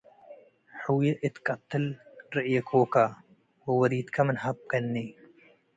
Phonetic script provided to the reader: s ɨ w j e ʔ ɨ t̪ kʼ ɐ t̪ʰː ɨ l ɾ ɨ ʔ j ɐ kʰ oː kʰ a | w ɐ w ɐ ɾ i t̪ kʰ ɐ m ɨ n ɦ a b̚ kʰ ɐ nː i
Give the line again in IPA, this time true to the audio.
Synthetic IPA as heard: ħ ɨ w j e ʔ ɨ t̪ kʼ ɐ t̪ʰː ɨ l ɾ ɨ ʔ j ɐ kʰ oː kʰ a | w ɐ w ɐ ɾ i t̪ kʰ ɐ m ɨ n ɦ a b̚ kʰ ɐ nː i